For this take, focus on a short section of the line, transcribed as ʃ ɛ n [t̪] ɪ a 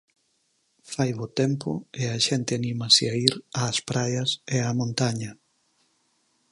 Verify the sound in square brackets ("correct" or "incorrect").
correct